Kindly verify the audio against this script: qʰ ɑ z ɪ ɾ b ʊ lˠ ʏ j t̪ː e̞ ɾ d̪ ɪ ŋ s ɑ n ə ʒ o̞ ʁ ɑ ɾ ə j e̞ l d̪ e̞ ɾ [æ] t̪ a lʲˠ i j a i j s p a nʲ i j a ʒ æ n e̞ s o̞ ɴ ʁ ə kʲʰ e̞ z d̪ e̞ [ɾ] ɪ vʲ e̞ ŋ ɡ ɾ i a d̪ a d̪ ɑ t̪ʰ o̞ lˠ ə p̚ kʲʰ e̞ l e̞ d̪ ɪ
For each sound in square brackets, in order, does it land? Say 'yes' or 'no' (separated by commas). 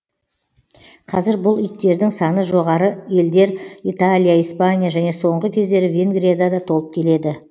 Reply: no, yes